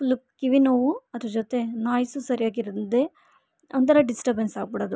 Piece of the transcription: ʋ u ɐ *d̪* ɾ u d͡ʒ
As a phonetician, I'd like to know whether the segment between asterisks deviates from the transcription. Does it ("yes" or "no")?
no